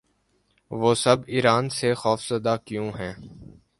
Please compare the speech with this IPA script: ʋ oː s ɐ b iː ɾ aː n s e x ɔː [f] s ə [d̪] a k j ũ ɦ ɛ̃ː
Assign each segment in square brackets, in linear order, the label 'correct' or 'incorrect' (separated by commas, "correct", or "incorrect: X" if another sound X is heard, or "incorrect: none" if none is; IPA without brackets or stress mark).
correct, correct